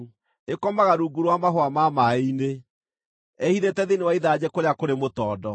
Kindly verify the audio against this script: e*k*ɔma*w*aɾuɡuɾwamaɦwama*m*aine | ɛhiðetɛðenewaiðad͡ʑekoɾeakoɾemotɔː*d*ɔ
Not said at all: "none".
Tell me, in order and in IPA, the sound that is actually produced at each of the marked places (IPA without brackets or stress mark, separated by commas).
k, ɣ, m, d